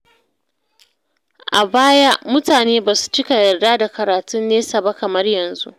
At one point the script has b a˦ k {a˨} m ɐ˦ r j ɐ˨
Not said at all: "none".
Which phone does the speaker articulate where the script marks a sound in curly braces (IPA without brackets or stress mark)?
ɐ˨